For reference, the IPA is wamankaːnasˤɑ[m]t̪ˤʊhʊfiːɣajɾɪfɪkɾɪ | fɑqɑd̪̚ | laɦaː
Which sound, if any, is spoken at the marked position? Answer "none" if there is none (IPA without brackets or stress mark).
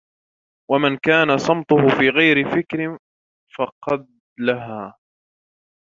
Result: m